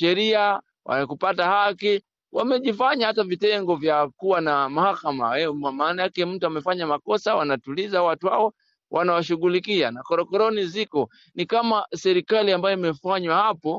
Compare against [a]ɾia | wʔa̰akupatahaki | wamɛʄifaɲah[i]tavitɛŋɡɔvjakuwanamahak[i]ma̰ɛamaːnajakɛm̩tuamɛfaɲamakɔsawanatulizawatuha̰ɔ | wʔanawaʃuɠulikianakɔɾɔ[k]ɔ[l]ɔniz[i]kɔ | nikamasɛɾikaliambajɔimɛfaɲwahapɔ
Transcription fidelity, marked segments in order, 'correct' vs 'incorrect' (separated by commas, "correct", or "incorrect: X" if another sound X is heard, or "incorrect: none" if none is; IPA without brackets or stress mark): incorrect: ɛ, incorrect: a, incorrect: a, correct, incorrect: ɾ, correct